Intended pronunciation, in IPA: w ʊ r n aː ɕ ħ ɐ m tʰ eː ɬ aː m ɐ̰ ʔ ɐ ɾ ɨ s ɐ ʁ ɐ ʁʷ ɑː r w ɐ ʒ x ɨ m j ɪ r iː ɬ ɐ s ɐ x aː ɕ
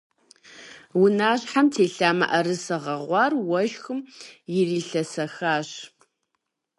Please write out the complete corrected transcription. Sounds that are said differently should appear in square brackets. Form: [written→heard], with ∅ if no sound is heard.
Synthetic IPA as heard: w ʊ [r→∅] n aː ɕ ħ [ɐ→a] m tʰ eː ɬ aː m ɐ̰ ʔ ɐ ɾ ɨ s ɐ ʁ ɐ ʁʷ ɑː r w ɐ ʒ x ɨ m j ɪ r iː ɬ ɐ s ɐ x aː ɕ

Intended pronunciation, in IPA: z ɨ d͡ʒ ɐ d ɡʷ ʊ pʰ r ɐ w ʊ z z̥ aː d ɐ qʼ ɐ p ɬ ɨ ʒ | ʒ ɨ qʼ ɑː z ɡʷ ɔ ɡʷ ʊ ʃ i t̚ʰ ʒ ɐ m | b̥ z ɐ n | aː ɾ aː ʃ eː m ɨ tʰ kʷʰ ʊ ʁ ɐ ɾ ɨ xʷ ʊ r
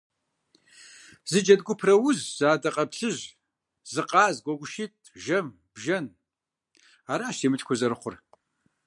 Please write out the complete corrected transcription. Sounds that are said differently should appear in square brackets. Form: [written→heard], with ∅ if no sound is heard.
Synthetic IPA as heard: z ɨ d͡ʒ ɐ d ɡʷ ʊ pʰ r ɐ w ʊ z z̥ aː d ɐ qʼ ɐ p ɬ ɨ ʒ | [ʒ→z] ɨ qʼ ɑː z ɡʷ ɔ ɡʷ ʊ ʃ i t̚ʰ ʒ ɐ m | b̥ [z→ʒ] ɐ n | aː ɾ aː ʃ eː m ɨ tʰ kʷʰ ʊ [ʁ→z] ɐ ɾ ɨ [xʷ→χʷ] ʊ r

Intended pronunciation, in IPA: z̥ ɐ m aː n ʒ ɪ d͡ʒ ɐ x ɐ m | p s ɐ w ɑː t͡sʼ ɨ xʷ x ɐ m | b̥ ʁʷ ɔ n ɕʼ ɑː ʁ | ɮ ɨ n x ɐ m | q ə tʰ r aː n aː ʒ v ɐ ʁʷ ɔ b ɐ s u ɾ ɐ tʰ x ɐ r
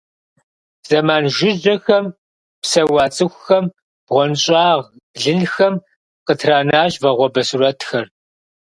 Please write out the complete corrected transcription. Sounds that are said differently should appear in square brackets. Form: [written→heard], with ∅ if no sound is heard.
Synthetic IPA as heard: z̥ ɐ m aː n ʒ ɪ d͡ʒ ɐ x ɐ m | p s ɐ w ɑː t͡sʼ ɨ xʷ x ɐ m | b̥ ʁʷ ɔ n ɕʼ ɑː ʁ | ɮ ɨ n x ɐ m | q ə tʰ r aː n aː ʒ v ɐ ʁʷ ɔ b ɐ s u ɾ ɐ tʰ x ɐ r

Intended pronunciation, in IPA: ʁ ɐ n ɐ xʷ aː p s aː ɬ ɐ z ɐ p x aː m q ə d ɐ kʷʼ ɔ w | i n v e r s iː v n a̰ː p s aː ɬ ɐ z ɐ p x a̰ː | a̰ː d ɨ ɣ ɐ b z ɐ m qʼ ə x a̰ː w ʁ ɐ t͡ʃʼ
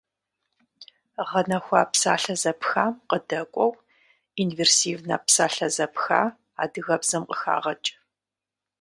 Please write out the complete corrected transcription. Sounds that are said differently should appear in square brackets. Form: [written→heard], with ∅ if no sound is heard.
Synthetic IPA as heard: ʁ ɐ n ɐ xʷ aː p s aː ɬ ɐ z ɐ p x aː m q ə d ɐ kʷʼ ɔ w | i n v e r s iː v n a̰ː p s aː ɬ ɐ z ɐ p x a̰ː | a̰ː d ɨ ɣ ɐ b z ɐ m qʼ ə x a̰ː [w→∅] ʁ ɐ t͡ʃʼ

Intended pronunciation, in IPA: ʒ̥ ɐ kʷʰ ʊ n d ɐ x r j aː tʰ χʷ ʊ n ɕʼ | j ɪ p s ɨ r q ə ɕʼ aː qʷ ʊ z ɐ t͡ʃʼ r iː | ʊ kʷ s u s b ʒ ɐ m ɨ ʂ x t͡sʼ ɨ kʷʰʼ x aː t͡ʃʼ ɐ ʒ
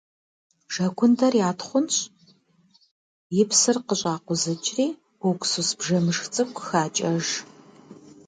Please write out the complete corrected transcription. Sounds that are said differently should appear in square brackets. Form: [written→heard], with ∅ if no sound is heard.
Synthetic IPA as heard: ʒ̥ ɐ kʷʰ ʊ n d ɐ [x→∅] r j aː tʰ χʷ ʊ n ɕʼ | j ɪ p s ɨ r q ə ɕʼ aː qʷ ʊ z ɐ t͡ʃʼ r iː | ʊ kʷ s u s b ʒ ɐ m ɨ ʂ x t͡sʼ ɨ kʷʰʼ x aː t͡ʃʼ ɐ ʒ

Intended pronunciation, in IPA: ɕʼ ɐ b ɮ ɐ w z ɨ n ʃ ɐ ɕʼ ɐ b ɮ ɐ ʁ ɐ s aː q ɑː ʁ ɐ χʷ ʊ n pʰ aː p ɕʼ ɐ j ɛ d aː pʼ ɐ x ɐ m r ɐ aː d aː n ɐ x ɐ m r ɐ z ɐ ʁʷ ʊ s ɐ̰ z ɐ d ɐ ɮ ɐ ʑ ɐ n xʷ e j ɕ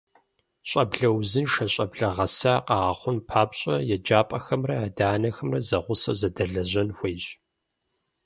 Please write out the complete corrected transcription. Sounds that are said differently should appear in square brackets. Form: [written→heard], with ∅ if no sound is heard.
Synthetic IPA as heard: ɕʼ ɐ b ɮ ɐ w z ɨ n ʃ ɐ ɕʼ ɐ b ɮ ɐ ʁ ɐ s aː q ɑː ʁ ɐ χʷ ʊ n pʰ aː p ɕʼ ɐ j ɛ [d→d͡ʒ] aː pʼ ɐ x ɐ m r ɐ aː d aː n ɐ x ɐ m r ɐ z ɐ ʁʷ ʊ s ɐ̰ z ɐ d ɐ ɮ ɐ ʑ ɐ n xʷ e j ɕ

